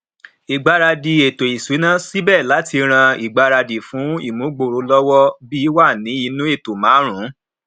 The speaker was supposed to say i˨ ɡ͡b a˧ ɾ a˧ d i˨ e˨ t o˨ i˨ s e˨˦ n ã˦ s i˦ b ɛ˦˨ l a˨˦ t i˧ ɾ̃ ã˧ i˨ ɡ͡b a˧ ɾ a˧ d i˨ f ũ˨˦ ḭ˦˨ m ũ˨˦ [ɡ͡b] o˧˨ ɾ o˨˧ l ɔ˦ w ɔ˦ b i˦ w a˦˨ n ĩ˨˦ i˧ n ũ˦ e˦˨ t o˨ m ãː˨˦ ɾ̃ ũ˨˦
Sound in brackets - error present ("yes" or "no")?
no